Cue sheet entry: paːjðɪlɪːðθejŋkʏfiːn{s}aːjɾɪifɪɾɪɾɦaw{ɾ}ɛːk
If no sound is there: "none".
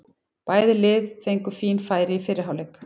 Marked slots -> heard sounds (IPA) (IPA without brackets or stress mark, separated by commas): f, l